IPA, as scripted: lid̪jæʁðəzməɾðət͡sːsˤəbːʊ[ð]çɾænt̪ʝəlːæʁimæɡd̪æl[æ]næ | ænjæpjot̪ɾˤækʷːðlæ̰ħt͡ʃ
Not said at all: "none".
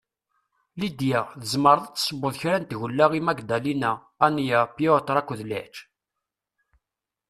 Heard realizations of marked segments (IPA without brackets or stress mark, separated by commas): ð, i